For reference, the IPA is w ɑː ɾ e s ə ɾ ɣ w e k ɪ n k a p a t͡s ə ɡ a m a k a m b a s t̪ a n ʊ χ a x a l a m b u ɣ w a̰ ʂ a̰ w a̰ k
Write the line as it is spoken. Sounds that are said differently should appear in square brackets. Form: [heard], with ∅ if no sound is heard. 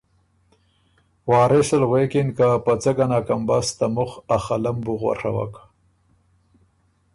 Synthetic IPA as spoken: w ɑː ɾ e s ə [l] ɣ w e k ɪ n k a p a t͡s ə ɡ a [n] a k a m b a s t̪ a [m] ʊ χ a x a l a m b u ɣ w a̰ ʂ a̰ w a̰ k